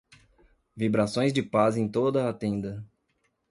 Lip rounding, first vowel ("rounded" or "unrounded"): unrounded